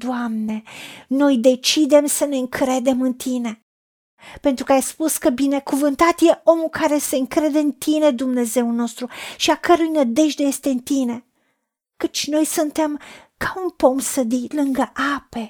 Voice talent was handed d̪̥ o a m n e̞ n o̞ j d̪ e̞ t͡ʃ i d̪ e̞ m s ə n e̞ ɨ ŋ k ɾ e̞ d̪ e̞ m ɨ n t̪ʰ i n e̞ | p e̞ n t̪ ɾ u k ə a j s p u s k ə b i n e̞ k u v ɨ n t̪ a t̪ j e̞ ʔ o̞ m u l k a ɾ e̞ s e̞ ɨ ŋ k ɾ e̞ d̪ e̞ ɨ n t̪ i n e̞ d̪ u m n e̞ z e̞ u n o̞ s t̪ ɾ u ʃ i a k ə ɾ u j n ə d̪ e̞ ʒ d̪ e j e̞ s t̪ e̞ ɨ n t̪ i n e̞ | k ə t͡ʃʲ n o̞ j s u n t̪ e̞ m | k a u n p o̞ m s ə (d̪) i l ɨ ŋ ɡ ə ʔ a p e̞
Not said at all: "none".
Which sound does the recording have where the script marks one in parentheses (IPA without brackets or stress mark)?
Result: d̪